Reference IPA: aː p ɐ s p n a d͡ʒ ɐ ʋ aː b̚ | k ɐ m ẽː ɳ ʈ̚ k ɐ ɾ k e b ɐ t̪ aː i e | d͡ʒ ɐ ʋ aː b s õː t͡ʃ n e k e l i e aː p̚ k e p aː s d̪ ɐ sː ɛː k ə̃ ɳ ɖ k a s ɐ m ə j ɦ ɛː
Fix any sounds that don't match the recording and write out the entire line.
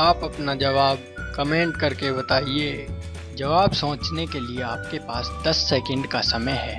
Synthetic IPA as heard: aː p ɐ p n a d͡ʒ ɐ ʋ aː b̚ | k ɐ m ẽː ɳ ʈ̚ k ɐ ɾ k e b ɐ t̪ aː i e | d͡ʒ ɐ ʋ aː b s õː t͡ʃ n e k e l i e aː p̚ k e p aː s d̪ ɐ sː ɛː k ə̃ ɳ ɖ k a s ɐ m ə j ɦ ɛː